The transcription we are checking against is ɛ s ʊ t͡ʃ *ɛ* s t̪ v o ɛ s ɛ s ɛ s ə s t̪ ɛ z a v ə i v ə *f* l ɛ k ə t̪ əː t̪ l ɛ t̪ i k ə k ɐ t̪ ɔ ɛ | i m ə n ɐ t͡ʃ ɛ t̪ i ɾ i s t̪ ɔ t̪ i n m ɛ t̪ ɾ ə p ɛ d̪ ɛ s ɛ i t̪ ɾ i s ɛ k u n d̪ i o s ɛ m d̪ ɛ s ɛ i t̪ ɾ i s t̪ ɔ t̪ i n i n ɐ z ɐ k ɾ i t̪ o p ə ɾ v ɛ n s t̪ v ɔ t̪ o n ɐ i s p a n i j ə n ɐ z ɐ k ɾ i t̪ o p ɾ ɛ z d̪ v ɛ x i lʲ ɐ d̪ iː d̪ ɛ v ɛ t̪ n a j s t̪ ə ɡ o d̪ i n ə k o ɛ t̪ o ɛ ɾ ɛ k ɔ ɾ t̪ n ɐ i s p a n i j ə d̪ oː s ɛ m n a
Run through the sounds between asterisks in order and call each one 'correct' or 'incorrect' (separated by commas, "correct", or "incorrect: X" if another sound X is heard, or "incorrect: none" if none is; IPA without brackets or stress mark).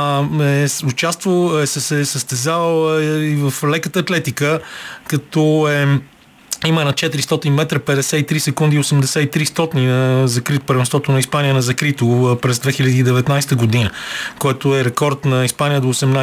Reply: incorrect: a, correct